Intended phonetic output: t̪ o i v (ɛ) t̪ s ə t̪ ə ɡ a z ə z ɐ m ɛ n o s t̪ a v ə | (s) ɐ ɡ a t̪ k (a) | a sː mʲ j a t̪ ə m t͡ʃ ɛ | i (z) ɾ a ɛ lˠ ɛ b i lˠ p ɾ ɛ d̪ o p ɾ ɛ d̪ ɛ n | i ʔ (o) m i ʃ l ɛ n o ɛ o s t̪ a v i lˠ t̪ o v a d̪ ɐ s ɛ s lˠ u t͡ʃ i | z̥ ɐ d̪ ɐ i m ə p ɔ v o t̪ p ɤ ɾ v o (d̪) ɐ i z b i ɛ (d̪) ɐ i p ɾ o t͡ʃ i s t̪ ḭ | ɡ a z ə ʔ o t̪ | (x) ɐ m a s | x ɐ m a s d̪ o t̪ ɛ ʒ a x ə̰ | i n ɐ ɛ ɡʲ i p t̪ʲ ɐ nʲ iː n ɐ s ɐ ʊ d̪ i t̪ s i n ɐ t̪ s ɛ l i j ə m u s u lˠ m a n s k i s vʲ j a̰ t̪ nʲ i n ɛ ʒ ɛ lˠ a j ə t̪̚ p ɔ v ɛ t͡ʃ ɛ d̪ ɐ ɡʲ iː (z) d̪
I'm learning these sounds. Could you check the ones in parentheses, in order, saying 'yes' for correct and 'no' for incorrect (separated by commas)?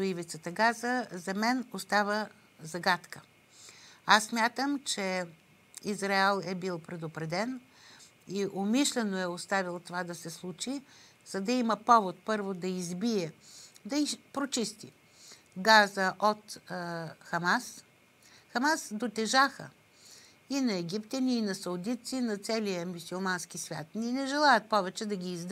no, no, no, yes, yes, yes, yes, yes, yes